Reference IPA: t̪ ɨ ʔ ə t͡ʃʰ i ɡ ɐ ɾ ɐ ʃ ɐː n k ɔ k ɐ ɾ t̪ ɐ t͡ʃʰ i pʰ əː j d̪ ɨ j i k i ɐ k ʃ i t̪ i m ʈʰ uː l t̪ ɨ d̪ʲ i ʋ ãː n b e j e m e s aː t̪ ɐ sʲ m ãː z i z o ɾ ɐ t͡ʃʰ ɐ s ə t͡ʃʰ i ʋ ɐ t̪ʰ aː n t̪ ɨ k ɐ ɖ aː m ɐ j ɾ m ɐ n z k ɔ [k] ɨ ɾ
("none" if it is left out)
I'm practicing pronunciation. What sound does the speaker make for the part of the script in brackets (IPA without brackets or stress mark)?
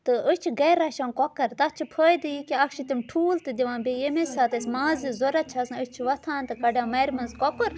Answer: k